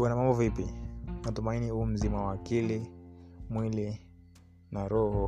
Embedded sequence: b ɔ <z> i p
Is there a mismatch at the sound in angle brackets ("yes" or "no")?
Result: yes